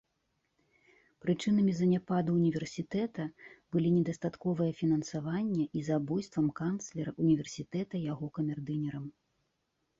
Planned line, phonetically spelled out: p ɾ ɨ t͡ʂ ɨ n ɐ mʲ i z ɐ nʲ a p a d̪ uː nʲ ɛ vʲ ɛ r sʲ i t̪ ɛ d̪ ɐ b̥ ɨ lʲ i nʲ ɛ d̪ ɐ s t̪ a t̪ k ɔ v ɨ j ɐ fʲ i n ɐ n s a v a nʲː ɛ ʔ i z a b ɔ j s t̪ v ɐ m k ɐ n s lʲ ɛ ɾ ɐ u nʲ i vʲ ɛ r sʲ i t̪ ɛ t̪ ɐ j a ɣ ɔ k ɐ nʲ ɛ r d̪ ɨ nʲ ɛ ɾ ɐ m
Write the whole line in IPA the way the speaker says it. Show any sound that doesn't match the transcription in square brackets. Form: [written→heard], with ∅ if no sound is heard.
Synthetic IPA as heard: p ɾ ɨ t͡ʂ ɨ n ɐ mʲ i z ɐ nʲ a p a d̪ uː nʲ [ɛ→i] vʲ ɛ r sʲ i t̪ ɛ [d̪→t̪] ɐ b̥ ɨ lʲ i nʲ ɛ d̪ ɐ s t̪ a t̪ k ɔ v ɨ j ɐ fʲ i n ɐ n s a v a nʲː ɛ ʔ i z a b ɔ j s t̪ v ɐ m k [ɐ→a] n s lʲ ɛ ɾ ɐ u nʲ i vʲ ɛ r sʲ i t̪ ɛ t̪ ɐ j a ɣ ɔ k ɐ [nʲ→mʲ] ɛ r d̪ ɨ nʲ ɛ ɾ ɐ m